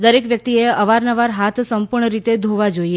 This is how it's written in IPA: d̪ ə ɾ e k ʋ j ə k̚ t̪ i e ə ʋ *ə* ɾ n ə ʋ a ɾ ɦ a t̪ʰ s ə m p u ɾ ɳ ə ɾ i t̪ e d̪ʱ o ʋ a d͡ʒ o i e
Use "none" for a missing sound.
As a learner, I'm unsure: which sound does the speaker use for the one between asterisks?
a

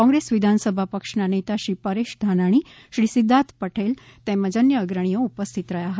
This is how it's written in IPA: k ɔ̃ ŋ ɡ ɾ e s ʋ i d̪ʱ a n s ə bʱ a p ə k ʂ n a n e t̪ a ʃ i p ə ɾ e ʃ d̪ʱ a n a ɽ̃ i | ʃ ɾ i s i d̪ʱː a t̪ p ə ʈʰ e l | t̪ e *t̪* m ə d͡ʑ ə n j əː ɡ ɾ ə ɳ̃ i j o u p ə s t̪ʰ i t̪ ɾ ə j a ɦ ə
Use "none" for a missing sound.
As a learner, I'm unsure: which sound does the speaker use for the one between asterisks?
none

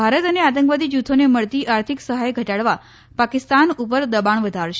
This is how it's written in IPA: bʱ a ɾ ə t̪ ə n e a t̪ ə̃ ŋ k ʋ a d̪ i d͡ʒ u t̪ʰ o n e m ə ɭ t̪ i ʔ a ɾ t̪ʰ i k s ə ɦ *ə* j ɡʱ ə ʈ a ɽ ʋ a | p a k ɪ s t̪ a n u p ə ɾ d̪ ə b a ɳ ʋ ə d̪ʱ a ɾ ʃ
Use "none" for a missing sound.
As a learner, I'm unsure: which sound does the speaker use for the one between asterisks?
a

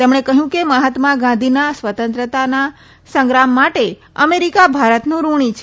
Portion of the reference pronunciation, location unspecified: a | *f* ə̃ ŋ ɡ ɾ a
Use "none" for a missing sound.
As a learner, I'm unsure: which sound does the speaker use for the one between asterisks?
s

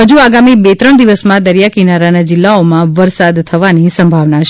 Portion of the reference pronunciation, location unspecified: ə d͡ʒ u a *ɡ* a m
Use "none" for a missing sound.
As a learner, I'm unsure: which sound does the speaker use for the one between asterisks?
ɡ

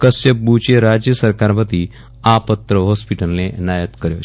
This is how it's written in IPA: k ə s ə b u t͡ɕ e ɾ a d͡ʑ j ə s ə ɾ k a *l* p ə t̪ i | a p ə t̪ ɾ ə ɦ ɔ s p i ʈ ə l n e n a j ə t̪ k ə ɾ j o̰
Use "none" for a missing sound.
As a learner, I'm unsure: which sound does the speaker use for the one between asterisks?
ɾ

